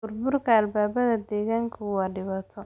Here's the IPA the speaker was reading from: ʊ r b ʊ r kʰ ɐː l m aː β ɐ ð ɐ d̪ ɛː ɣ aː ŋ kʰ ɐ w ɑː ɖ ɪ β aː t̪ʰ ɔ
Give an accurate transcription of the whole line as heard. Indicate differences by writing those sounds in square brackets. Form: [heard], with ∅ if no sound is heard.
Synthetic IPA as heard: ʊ r b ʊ r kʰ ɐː l [b] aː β ɐ ð ɐ d̪ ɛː ɣ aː ŋ kʰ ɐ w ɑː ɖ ɪ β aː t̪ʰ ɔ